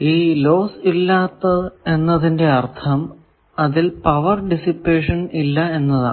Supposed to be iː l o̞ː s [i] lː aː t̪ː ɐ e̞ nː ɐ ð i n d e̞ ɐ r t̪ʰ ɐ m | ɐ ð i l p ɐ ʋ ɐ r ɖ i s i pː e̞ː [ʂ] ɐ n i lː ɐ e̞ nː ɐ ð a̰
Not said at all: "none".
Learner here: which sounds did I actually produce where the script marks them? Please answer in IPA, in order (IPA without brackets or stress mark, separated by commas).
i, ʂ